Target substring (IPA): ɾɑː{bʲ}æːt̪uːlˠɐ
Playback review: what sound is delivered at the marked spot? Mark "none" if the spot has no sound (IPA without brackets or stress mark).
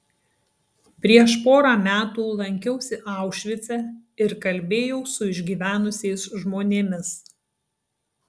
mʲ